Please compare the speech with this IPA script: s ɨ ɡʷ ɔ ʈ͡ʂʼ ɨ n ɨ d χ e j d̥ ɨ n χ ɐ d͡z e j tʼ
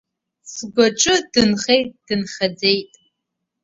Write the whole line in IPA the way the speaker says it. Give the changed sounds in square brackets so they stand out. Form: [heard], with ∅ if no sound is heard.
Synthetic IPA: s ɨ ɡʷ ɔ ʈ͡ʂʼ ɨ [d] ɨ [n] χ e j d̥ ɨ n χ ɐ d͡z e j tʼ